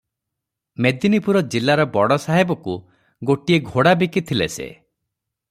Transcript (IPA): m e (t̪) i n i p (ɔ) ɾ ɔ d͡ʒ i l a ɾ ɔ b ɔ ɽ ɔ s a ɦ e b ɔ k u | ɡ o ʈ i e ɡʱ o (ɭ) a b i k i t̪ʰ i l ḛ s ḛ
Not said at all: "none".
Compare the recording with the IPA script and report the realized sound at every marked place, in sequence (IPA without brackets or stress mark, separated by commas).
d̪, u, ɽ